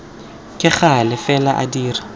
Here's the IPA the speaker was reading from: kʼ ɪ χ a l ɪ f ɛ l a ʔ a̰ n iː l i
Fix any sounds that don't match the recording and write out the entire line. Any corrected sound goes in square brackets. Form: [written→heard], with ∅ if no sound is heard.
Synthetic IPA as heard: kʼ ɪ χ a l ɪ f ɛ l a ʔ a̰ [n→d] iː [l→r] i